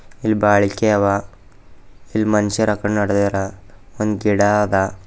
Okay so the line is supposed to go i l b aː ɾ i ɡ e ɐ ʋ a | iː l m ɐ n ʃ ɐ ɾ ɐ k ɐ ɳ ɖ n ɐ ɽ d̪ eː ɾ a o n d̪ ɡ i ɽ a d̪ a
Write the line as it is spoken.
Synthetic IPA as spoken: i l b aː ɭ i k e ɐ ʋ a | i l m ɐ n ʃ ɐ ɾ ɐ k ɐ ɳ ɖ n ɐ ɽ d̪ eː ɾ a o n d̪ ɡ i ɽ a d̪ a